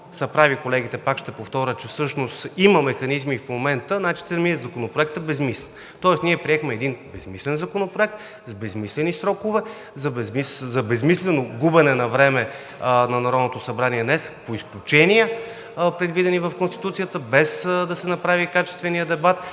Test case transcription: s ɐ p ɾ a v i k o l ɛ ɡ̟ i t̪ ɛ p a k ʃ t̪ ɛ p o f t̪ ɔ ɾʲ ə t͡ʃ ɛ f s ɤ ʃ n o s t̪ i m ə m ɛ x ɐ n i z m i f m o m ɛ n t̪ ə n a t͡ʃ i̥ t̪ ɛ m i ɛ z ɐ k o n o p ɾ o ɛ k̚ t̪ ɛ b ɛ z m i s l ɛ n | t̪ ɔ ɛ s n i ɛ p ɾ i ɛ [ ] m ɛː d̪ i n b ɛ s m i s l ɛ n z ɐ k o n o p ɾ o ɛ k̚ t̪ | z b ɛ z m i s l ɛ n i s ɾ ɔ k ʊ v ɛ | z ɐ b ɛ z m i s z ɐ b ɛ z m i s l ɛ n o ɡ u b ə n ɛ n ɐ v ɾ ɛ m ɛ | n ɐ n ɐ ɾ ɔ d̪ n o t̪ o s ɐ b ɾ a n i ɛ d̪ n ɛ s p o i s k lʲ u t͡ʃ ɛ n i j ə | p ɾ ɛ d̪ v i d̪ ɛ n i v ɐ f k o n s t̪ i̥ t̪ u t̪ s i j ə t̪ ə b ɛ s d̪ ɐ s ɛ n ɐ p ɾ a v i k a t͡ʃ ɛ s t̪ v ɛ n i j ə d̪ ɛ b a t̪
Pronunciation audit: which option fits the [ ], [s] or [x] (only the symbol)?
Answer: x